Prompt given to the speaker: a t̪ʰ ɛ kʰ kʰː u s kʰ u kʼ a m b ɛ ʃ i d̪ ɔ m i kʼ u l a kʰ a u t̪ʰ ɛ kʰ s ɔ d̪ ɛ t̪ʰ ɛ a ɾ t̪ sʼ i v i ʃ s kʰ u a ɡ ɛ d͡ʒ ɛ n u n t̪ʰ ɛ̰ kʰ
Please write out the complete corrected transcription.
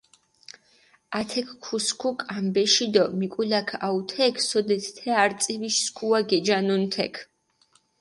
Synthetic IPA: a t̪ʰ ɛ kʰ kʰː u s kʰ u kʼ a m b ɛ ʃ i d̪ ɔ m i kʼ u l a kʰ a u t̪ʰ ɛ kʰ s ɔ d̪ ɛ t̪ʰ ɛ a ɾ t̪ sʼ i v i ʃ s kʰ u a ɡ ɛ d͡ʒ a n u n t̪ʰ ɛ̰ kʰ